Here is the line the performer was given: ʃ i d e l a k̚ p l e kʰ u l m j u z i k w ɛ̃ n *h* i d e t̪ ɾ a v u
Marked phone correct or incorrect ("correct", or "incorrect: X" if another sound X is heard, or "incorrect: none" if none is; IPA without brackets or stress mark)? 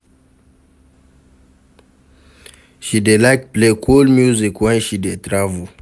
incorrect: ʃ